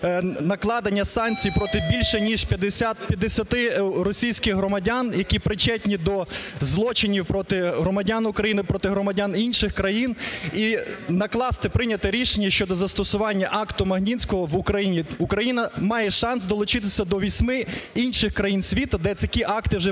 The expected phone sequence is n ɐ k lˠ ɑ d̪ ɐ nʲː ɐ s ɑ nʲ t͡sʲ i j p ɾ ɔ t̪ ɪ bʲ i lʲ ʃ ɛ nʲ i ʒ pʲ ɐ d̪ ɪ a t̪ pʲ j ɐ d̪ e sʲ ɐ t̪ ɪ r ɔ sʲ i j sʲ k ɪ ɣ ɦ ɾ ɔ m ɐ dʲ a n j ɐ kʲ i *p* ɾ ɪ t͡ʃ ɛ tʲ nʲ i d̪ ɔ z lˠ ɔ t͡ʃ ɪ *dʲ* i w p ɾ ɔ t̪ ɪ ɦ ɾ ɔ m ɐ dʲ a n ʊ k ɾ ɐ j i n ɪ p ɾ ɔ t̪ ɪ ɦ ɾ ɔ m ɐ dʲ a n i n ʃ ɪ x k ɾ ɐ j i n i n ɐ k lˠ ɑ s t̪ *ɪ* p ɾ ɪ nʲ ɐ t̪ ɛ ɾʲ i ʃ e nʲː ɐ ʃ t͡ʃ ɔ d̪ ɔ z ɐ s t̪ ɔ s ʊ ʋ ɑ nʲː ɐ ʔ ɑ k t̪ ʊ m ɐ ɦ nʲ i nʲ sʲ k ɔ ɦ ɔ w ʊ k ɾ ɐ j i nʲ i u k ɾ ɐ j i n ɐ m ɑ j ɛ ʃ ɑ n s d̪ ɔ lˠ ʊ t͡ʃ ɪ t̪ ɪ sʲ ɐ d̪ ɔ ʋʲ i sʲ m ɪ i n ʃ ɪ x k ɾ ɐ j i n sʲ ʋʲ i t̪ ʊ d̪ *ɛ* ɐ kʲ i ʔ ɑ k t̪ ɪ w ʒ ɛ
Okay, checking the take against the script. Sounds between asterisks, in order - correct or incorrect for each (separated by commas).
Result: correct, incorrect, correct, correct